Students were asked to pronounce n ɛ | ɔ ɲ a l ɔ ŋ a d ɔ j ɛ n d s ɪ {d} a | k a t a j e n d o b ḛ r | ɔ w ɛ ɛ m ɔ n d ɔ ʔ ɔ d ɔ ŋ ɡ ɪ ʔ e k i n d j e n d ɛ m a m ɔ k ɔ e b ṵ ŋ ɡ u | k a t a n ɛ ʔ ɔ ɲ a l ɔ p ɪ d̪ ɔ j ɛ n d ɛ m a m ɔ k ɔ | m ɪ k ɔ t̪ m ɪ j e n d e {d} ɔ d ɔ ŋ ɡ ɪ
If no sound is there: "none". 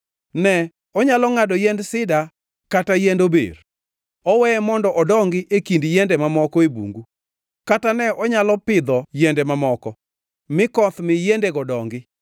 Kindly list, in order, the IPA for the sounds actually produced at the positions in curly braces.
d, ɡ

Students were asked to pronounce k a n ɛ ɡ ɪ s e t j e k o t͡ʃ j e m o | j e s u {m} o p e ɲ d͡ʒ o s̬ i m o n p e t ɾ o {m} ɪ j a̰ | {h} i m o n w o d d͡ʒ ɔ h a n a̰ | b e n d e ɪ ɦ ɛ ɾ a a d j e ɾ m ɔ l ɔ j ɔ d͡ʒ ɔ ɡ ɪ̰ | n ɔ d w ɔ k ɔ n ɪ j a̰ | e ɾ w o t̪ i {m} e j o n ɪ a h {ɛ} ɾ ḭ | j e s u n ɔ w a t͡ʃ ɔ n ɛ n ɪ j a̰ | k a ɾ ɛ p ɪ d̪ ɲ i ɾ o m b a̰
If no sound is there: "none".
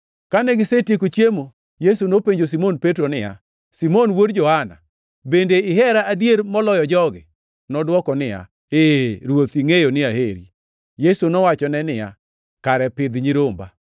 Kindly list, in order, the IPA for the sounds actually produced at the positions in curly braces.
n, n, s, ŋ, e

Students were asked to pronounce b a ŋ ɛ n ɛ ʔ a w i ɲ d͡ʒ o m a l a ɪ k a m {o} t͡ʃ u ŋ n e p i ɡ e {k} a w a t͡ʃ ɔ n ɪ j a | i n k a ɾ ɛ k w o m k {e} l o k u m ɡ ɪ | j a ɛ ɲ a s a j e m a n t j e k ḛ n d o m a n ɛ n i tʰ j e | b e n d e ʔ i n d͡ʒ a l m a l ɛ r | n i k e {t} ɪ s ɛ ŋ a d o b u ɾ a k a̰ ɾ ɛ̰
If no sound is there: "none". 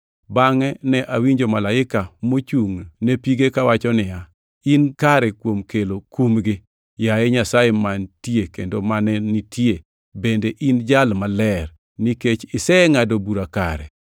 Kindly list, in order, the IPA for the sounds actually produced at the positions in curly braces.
o, k, e, t͡ʃ

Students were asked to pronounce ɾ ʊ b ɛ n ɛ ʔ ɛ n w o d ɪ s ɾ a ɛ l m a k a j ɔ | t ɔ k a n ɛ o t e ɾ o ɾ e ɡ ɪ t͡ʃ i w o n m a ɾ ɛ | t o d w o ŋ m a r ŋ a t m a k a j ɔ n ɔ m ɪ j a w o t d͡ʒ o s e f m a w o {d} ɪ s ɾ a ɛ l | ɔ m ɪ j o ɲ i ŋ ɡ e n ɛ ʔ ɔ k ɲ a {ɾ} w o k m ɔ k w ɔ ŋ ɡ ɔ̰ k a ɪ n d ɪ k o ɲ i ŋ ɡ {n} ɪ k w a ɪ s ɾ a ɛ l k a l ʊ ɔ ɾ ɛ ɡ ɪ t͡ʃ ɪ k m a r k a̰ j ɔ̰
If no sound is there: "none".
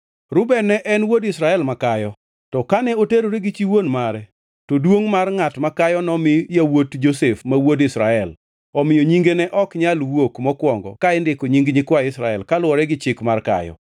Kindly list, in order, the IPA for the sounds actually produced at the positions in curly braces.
d, l, ɲ

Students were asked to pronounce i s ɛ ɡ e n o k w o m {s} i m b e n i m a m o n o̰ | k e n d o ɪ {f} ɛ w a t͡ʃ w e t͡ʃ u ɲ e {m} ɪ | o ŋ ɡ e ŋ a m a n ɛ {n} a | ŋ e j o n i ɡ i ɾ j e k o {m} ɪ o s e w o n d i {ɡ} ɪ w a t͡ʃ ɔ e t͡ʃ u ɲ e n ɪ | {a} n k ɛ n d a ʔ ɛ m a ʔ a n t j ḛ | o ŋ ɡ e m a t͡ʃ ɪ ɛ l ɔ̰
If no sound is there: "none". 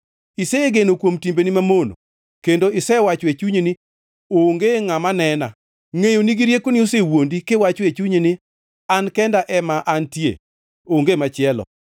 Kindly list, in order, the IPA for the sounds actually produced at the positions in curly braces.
t, s, n, n, n, k, a

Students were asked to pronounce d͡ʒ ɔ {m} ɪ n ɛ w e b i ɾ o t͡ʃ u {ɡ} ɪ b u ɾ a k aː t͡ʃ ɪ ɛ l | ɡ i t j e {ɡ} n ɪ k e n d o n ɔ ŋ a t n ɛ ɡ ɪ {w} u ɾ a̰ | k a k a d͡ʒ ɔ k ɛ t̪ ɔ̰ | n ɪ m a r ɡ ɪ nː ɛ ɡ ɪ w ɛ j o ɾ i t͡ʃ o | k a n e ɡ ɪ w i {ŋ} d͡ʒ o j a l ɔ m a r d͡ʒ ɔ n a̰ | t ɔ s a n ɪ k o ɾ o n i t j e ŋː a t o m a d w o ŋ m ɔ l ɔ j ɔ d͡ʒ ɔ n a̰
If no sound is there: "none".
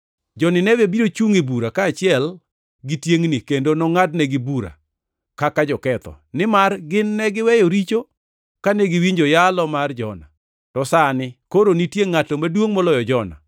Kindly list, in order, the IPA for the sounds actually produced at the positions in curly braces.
n, ŋ, ŋ, b, ɲ

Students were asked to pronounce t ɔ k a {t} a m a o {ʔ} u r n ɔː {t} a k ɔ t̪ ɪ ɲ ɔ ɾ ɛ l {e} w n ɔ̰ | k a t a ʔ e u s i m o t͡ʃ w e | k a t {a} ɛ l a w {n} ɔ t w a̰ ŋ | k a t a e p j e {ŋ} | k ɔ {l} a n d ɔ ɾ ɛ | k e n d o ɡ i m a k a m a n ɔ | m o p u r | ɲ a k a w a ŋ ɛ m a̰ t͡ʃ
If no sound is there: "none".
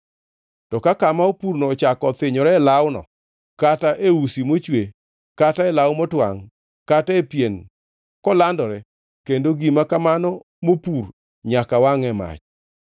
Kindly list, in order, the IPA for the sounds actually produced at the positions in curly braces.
k, p, t͡ʃ, a, a, m, n, l

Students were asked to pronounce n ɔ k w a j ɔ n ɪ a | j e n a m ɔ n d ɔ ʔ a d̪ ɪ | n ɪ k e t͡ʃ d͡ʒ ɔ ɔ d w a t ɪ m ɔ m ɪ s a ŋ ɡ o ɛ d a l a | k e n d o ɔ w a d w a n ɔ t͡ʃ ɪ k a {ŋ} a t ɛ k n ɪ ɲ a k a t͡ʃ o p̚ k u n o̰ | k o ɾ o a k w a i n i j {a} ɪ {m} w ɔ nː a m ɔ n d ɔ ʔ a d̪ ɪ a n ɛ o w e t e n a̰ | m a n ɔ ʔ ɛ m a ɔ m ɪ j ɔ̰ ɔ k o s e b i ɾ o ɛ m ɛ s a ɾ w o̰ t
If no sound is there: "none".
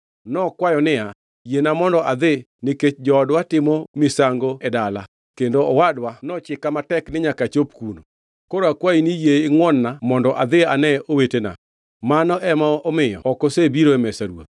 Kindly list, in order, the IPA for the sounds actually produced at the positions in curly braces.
m, e, ŋ

